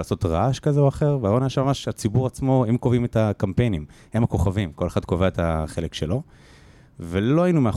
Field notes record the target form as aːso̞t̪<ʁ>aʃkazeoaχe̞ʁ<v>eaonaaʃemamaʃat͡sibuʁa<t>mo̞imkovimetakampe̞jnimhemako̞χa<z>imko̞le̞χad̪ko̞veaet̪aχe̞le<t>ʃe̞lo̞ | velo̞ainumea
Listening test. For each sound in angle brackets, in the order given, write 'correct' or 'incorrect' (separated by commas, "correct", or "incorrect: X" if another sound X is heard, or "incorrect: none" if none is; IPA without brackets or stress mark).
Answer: correct, correct, incorrect: t͡s, incorrect: v, incorrect: k